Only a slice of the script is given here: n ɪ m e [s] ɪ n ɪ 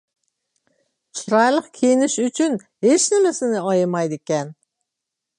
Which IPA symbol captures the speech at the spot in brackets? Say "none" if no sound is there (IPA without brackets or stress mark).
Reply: s